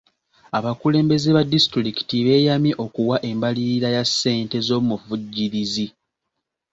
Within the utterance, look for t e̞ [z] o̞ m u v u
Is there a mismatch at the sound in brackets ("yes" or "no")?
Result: no